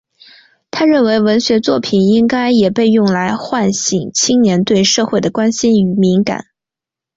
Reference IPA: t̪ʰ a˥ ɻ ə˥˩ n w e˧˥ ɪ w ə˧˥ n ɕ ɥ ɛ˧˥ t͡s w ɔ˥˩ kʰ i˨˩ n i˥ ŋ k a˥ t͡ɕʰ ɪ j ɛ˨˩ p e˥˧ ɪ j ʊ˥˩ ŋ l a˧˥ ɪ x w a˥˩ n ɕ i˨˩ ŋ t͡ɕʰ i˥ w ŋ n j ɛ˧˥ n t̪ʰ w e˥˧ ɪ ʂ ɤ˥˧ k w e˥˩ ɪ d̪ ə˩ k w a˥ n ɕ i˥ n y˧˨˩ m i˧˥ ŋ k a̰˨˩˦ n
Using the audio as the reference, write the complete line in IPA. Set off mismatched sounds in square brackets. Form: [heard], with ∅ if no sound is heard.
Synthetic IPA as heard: t̪ʰ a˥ ɻ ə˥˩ n w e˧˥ ɪ w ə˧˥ n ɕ ɥ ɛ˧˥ t͡s w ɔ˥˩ [pʰ] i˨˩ n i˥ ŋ k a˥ [∅] ɪ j ɛ˨˩ p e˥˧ ɪ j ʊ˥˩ ŋ l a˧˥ ɪ x w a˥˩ n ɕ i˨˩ ŋ t͡ɕʰ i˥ [∅] ŋ n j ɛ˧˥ n [t̪] w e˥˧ ɪ ʂ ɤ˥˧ [x] w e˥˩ ɪ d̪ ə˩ k w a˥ n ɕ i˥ n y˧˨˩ m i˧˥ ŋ k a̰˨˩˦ n

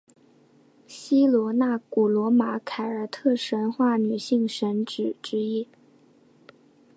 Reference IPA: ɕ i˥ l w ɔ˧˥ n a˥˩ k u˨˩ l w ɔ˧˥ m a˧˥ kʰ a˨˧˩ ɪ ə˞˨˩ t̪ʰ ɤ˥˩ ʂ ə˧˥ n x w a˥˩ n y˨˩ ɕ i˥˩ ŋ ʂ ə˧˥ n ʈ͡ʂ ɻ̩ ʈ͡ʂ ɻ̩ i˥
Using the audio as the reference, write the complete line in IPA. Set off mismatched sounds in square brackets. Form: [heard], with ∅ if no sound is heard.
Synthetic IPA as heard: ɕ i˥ l w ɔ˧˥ n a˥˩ k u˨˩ l w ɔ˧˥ m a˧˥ kʰ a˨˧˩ ɪ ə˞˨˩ t̪ʰ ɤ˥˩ ʂ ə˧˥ n x w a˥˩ n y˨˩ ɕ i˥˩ ŋ ʂ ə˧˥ n ʈ͡ʂ ɻ̩ ʈ͡ʂ ɻ̩ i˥

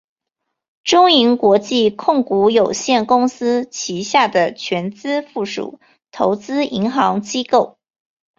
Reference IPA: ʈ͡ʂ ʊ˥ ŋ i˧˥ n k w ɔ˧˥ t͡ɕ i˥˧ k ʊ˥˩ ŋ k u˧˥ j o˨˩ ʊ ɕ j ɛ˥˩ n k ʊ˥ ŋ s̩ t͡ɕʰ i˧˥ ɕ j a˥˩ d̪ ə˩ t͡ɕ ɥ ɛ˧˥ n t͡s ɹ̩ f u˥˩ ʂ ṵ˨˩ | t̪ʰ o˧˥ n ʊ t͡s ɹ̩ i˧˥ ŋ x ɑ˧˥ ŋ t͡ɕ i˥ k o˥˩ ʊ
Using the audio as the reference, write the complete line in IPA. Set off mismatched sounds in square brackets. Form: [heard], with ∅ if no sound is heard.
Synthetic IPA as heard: ʈ͡ʂ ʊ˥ ŋ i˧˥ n k w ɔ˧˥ t͡ɕ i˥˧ [kʰ] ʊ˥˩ ŋ k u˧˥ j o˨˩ ʊ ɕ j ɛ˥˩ n k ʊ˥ ŋ s̩ t͡ɕʰ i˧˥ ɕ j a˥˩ d̪ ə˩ [t͡ɕʰ] ɥ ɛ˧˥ n t͡s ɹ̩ f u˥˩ ʂ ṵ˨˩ | t̪ʰ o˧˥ [∅] ʊ t͡s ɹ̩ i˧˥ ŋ x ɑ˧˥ ŋ t͡ɕ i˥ k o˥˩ ʊ

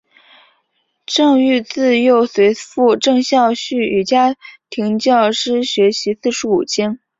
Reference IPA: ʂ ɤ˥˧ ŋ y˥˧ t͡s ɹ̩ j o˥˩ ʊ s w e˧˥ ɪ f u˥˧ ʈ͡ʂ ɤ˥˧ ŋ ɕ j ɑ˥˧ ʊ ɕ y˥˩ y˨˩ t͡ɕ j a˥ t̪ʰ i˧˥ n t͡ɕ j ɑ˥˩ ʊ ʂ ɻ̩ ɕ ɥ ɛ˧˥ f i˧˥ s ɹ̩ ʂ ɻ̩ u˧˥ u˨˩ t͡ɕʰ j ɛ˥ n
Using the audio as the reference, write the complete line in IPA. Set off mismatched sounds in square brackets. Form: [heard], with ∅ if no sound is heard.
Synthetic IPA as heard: [ʈ͡ʂ] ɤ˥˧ ŋ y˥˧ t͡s ɹ̩ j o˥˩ ʊ s w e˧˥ ɪ f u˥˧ ʈ͡ʂ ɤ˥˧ ŋ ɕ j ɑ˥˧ ʊ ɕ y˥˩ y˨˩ t͡ɕ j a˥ t̪ʰ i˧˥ [ŋ] t͡ɕ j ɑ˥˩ ʊ ʂ ɻ̩ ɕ ɥ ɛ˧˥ [ɕ] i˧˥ s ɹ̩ ʂ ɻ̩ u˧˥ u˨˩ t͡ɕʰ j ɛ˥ n

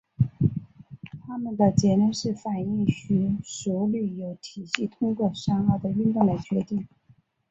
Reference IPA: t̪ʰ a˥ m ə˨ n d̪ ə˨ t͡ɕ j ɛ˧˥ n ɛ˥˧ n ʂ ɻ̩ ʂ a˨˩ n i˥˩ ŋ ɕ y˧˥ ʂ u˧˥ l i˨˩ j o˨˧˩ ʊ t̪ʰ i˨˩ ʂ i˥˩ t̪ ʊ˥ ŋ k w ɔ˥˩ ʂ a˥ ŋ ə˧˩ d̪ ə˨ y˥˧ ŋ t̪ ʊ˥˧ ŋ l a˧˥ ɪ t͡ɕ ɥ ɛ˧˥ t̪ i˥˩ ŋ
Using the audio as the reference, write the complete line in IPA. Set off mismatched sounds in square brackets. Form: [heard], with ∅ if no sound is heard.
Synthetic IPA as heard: t̪ʰ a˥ m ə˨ n d̪ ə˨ t͡ɕ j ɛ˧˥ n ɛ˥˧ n ʂ ɻ̩ [f] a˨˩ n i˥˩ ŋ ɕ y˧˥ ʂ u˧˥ l [y˨˩] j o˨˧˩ ʊ t̪ʰ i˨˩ [ɕ] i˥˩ [t̪ʰ] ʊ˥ ŋ k w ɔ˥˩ ʂ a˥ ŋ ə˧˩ d̪ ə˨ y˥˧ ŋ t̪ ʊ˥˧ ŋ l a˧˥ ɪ t͡ɕ ɥ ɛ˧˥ t̪ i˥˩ ŋ

